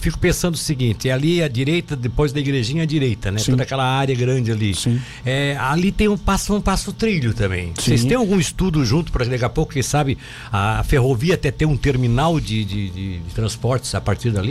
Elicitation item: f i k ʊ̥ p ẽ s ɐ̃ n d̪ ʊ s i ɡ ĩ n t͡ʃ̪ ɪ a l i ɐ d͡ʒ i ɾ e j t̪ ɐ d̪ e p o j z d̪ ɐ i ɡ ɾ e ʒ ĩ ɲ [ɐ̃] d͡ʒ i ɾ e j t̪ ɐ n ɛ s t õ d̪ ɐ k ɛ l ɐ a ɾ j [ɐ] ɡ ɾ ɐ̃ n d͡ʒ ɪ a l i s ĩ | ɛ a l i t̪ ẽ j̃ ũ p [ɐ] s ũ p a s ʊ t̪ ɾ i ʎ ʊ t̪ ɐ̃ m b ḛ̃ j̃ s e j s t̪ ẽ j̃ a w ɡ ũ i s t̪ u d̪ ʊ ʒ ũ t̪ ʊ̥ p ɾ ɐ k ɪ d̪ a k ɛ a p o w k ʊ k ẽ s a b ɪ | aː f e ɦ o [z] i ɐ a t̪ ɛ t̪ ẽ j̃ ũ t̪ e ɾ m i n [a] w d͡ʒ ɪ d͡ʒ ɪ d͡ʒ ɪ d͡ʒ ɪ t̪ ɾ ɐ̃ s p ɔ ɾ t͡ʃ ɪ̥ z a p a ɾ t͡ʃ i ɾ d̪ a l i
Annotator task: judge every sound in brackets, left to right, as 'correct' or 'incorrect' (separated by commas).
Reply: incorrect, correct, incorrect, incorrect, correct